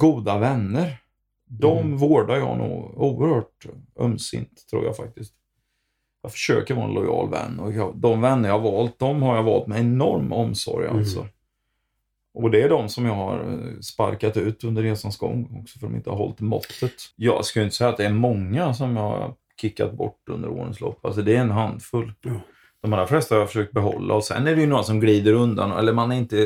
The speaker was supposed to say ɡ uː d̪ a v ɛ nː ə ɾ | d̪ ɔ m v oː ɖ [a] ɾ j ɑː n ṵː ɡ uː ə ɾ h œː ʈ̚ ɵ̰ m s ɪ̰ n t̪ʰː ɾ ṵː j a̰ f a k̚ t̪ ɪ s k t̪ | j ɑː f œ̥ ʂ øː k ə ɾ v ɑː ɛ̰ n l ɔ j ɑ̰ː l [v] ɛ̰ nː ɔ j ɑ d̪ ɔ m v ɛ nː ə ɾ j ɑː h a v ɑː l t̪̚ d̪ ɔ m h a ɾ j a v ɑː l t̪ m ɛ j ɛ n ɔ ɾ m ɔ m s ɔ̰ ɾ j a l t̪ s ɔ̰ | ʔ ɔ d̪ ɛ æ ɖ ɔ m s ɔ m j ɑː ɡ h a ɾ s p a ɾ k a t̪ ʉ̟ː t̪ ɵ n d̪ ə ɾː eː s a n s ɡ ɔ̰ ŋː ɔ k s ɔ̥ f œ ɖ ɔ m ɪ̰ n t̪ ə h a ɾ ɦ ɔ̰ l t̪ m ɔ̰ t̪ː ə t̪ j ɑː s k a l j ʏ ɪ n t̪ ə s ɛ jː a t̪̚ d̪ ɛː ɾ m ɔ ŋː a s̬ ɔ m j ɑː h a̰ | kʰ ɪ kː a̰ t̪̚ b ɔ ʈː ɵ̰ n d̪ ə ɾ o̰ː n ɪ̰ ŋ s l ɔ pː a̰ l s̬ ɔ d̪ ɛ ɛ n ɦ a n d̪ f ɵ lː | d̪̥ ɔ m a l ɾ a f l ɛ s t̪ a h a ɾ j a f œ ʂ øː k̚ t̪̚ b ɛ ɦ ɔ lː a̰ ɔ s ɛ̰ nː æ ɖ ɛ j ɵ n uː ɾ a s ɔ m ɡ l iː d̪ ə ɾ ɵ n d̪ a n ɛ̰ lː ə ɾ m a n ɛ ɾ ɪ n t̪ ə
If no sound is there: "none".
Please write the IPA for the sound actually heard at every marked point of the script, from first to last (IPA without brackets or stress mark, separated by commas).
a, v